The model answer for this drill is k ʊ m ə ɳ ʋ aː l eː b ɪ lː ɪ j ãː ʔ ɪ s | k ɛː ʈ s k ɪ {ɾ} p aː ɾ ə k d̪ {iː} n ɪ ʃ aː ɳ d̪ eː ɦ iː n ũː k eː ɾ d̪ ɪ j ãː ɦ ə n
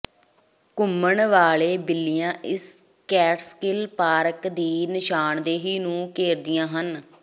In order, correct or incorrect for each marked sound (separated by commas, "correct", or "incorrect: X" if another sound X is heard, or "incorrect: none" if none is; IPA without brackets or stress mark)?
incorrect: l, correct